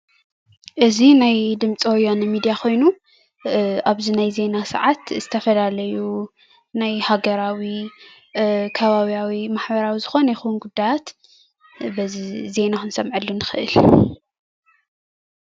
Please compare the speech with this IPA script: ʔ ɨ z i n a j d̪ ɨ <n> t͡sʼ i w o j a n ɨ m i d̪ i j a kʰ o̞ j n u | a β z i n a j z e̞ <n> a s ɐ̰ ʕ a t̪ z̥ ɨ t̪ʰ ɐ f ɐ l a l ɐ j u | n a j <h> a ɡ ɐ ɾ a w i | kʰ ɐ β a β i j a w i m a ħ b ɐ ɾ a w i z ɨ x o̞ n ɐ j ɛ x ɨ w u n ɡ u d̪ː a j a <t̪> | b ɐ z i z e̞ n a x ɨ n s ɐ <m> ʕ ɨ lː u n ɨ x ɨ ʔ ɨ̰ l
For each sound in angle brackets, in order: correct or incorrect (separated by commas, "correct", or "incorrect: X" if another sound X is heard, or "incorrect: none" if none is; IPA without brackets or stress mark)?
incorrect: m, correct, correct, correct, correct